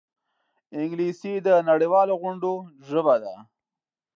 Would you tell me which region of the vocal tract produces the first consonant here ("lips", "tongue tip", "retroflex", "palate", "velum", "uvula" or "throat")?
velum